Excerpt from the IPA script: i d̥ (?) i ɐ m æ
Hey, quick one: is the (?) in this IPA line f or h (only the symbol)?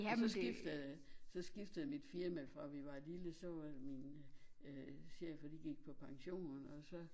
f